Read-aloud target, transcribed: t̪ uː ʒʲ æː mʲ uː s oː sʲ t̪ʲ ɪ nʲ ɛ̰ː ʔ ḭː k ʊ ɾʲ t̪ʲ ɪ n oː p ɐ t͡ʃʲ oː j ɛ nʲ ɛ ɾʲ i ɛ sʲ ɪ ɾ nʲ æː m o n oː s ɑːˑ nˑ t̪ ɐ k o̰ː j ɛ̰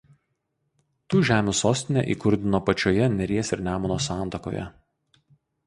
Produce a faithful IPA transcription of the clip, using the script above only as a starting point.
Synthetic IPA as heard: t̪ uː ʒʲ æː mʲ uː s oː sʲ t̪ʲ ɪ nʲ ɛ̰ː ʔ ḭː k ʊ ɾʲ d̪ʲ ɪ n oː p ɐ t͡ʃʲ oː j ɛ nʲ ɛ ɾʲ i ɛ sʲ ɪ ɾ nʲ æː m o n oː s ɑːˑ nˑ t̪ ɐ k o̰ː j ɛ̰